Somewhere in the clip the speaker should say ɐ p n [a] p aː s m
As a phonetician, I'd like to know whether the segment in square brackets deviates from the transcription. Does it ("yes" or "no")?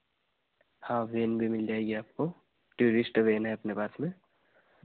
yes